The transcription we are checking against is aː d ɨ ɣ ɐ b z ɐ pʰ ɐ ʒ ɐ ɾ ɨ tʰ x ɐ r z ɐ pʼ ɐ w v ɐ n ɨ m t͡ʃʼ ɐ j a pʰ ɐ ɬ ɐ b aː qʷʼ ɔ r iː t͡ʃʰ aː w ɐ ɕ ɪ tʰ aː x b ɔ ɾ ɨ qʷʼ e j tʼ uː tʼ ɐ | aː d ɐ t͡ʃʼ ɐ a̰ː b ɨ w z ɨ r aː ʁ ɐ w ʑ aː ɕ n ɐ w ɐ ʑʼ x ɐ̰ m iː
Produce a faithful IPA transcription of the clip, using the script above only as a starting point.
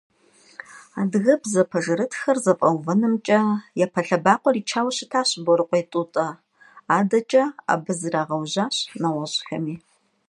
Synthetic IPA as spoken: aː d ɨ ɣ ɐ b z ɐ pʰ ɐ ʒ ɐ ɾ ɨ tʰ x ɐ r z ɐ pʼ ɐ w v ɐ n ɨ m t͡ʃʼ ɐ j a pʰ ɐ ɬ ɐ b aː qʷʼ ɔ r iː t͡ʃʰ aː w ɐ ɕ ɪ tʰ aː ɕ b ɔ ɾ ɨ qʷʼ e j tʼ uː tʼ ɐ | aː d ɐ t͡ʃʼ ɐ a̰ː b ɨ z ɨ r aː ʁ ɐ w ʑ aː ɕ n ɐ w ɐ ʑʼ x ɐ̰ m iː